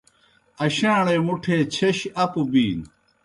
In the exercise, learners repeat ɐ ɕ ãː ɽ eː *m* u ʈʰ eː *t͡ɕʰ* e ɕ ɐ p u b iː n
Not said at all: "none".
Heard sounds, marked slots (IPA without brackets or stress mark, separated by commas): m, t͡ɕʰ